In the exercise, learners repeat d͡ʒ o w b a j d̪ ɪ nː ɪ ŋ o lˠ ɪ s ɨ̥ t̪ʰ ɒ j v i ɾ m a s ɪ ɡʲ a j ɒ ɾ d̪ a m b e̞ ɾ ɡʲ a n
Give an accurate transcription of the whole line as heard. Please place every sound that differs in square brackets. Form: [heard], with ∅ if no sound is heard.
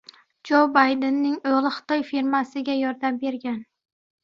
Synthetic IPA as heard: d͡ʒ o w b a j d̪ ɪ nː ɪ ŋ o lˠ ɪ [χ] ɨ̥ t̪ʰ ɒ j [f] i ɾ m a s ɪ ɡʲ a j ɒ ɾ d̪ a m b e̞ ɾ ɡʲ a n